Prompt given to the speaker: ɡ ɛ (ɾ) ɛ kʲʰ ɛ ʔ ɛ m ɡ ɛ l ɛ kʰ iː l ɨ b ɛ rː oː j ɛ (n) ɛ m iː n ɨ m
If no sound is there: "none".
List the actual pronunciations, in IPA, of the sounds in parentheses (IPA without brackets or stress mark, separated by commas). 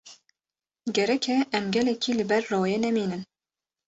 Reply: ɾ, n